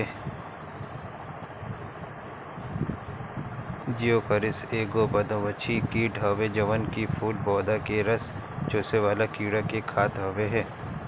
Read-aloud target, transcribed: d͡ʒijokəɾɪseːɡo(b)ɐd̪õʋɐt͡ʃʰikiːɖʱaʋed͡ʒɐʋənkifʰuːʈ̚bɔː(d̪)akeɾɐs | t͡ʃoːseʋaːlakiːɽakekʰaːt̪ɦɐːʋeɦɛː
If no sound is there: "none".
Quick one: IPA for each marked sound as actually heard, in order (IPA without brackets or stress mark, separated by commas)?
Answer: b, d̪